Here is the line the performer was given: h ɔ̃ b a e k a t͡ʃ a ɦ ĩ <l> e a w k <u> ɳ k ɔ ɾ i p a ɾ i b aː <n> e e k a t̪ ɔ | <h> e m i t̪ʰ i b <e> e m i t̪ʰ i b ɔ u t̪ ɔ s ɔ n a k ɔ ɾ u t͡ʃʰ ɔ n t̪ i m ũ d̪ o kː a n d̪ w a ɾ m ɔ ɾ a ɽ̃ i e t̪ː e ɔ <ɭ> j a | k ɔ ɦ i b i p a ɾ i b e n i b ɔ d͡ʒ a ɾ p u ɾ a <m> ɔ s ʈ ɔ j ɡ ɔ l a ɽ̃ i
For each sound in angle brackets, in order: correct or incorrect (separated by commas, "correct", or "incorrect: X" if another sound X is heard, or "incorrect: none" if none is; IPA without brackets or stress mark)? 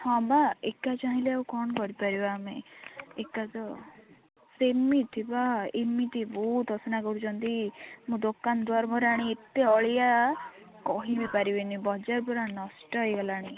correct, incorrect: ɔ, incorrect: m, incorrect: s, incorrect: a, correct, incorrect: n